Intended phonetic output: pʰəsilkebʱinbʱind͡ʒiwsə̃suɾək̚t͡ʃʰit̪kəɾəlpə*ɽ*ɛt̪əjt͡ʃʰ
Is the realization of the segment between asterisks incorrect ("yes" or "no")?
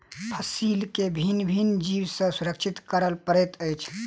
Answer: yes